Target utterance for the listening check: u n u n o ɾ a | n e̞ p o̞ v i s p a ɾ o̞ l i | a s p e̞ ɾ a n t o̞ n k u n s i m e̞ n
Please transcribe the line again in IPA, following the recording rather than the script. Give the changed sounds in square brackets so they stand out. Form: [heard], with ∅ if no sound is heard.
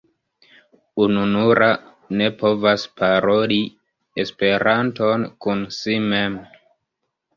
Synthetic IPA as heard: u n u n [u] ɾ a | n e̞ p o̞ v [a] s p a ɾ o̞ l i | [e] s p e̞ ɾ a n t o̞ n k u n s i m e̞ [m]